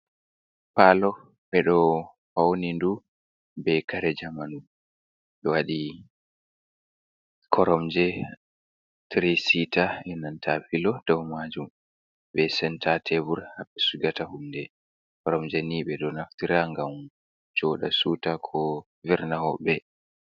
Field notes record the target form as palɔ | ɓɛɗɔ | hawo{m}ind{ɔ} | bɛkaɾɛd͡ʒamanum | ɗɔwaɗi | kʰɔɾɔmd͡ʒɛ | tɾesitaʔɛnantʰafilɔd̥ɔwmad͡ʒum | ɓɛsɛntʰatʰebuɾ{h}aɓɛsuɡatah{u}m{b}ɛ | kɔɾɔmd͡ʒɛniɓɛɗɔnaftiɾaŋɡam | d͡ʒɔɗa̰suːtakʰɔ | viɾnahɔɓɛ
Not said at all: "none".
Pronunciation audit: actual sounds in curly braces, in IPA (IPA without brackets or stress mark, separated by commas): n, u, h, u, d